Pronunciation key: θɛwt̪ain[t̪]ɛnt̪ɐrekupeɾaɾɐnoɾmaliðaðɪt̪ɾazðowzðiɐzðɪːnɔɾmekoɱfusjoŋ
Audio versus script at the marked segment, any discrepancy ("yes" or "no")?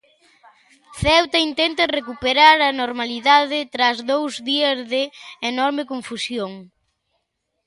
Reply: no